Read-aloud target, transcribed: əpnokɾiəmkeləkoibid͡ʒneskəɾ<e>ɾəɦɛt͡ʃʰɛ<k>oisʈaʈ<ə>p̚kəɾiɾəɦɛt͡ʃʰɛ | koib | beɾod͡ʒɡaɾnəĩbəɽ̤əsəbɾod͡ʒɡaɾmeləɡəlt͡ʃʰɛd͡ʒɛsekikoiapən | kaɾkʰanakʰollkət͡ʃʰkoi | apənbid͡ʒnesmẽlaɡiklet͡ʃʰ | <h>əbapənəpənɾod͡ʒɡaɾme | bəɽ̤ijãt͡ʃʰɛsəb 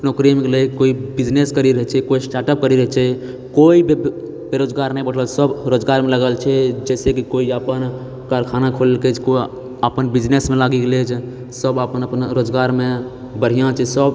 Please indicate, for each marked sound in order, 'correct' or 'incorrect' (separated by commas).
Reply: incorrect, correct, correct, incorrect